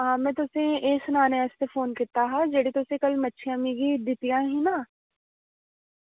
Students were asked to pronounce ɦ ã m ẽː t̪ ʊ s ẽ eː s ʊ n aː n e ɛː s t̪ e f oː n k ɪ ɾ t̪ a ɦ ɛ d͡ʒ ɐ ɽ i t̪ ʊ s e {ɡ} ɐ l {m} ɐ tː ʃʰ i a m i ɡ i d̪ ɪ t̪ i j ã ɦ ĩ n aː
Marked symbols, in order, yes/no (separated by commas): no, yes